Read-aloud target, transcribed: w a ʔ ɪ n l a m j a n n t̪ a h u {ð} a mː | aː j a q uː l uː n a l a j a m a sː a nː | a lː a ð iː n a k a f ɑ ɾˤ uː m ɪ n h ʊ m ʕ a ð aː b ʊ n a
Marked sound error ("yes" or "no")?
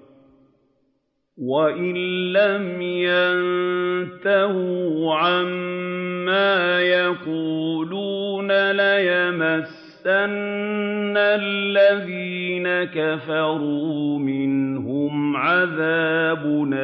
yes